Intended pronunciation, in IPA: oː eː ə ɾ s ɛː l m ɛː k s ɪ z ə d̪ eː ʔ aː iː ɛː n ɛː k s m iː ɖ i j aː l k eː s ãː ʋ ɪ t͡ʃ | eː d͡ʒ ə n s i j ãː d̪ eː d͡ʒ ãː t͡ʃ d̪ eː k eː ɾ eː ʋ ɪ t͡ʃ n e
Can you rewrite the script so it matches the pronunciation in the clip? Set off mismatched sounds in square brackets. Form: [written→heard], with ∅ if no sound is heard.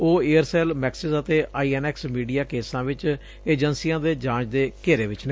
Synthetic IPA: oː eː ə ɾ s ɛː l m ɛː k s ɪ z ə [d̪→t̪] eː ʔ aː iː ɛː n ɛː k s m iː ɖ i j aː [l→∅] k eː s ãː ʋ ɪ t͡ʃ | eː d͡ʒ ə n s i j ãː d̪ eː d͡ʒ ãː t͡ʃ d̪ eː k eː ɾ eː ʋ ɪ t͡ʃ n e